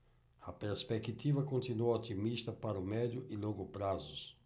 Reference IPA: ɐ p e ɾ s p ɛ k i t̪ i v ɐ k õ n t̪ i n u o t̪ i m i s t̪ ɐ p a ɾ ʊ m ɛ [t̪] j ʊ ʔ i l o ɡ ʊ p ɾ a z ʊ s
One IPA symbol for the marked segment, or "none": d̪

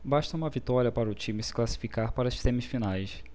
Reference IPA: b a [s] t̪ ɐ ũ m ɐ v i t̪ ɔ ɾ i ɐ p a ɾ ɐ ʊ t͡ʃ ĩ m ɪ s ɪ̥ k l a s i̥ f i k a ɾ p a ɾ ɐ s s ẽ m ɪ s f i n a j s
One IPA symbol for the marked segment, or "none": ʃ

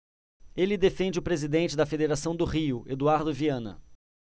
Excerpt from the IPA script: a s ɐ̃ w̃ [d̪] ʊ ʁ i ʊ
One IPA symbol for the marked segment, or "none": d̪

